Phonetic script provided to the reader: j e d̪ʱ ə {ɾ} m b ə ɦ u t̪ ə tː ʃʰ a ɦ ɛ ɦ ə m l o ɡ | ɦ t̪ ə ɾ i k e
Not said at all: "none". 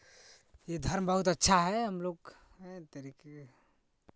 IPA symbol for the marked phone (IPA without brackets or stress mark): ɾ